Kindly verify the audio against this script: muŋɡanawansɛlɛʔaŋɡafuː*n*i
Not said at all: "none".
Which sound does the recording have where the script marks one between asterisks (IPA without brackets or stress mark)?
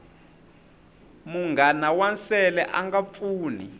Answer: n